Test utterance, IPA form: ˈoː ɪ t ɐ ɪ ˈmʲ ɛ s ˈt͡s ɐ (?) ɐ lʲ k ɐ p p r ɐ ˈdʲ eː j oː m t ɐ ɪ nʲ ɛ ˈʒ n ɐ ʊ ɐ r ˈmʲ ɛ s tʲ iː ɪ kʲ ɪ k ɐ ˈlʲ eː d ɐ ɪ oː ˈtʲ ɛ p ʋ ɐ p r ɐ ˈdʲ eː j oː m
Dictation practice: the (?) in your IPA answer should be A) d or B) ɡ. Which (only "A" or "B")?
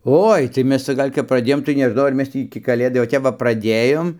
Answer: B